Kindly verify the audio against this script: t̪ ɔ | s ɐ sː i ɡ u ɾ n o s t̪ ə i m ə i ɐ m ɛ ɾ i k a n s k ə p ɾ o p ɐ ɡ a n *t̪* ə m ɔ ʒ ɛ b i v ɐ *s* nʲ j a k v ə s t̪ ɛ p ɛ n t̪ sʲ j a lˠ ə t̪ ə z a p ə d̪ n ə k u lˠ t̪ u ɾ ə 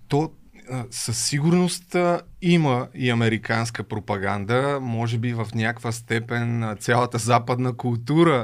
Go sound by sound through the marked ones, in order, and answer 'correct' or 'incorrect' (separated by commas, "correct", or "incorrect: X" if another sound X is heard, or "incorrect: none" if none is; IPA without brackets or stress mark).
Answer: incorrect: d̪, incorrect: f